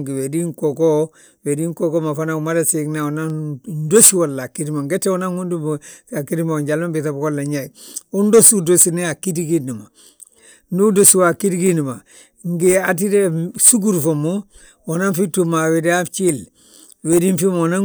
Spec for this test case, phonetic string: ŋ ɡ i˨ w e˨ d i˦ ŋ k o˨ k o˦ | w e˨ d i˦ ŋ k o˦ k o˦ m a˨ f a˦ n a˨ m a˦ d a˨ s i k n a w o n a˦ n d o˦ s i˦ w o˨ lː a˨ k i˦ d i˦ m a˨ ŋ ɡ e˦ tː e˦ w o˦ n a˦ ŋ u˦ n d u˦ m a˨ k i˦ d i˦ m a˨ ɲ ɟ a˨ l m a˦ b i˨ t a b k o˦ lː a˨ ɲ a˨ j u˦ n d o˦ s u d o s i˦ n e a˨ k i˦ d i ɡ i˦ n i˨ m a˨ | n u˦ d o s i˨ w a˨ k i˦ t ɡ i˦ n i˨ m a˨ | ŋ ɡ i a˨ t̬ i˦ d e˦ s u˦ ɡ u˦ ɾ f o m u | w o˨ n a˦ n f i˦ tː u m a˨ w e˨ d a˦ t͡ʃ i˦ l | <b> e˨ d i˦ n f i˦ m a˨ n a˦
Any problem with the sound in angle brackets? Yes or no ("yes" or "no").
yes